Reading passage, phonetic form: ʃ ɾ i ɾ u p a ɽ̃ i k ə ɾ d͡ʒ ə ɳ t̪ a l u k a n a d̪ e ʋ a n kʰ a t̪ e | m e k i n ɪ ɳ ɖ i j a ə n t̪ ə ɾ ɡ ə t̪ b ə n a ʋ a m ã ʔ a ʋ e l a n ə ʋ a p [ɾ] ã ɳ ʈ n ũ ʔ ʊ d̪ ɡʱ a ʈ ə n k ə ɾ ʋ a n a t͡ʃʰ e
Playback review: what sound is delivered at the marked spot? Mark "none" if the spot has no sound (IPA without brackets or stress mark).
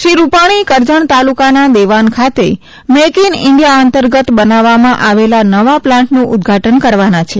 l